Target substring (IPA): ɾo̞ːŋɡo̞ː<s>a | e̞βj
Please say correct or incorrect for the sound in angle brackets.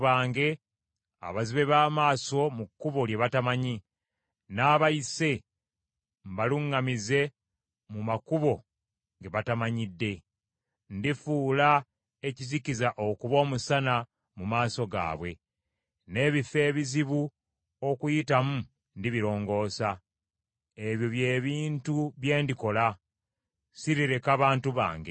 correct